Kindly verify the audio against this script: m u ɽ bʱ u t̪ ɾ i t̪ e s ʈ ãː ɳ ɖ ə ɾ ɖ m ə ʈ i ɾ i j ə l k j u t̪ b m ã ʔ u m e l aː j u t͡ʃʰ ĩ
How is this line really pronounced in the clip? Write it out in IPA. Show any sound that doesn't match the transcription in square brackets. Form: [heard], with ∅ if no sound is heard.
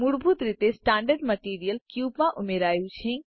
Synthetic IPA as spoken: m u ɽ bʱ u t̪ ɾ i t̪ e s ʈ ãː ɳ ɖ ə ɾ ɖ m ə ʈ i ɾ i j ə l k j u [∅] b m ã ʔ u m e [ɾ] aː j u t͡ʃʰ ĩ